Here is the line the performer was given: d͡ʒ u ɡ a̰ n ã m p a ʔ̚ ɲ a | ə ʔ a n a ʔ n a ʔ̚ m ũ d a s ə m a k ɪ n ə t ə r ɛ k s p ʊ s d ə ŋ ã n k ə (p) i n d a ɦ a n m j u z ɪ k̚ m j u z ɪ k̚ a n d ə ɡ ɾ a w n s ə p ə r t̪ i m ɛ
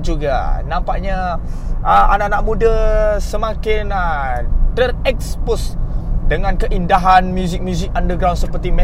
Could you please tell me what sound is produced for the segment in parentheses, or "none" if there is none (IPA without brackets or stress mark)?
ʔ